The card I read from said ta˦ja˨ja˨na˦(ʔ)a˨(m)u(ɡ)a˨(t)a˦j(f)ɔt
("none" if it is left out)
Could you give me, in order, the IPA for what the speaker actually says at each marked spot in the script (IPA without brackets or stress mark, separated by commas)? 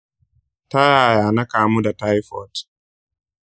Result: k, m, d, t, f